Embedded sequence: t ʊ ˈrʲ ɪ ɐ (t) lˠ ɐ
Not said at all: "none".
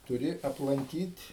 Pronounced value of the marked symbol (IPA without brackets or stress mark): p